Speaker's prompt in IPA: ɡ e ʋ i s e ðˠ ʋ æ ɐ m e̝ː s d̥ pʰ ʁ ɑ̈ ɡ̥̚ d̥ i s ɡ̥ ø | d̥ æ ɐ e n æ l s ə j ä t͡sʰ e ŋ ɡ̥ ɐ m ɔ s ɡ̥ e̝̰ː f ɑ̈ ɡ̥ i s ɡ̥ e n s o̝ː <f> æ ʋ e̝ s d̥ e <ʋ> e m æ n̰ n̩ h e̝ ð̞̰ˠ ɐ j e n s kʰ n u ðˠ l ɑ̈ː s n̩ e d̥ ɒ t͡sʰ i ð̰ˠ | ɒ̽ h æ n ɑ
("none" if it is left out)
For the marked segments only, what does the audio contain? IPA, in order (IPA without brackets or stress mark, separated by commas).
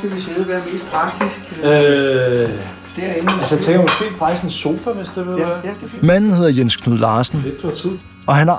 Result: f, ʋ